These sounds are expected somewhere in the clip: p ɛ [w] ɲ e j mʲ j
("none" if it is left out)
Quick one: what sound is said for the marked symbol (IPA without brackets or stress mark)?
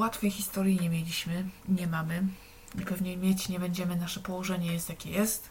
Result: v